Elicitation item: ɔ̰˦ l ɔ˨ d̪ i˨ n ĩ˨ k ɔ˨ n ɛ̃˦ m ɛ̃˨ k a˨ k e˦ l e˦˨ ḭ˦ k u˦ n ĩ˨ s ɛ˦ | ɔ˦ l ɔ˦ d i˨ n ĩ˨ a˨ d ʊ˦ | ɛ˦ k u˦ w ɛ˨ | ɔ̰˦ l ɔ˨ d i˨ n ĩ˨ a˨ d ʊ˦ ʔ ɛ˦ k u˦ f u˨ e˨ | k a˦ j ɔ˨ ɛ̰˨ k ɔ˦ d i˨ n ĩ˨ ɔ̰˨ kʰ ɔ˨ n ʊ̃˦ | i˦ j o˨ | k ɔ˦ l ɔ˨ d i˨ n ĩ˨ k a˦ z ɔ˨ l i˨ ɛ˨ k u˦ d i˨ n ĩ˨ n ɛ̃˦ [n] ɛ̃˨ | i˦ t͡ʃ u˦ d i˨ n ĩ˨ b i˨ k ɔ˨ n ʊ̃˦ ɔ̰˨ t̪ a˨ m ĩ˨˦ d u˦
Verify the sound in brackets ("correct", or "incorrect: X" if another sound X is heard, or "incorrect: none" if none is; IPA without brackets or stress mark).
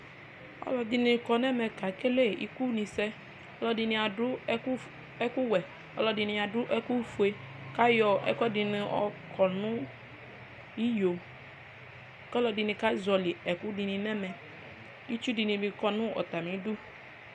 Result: incorrect: m